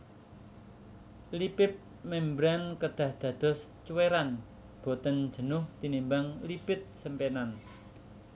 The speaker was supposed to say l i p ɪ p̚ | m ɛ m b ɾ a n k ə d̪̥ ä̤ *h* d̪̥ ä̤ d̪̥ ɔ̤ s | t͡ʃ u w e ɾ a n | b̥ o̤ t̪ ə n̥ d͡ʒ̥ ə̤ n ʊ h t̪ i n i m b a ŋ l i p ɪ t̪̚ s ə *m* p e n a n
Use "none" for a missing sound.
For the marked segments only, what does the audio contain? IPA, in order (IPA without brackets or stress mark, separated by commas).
h, m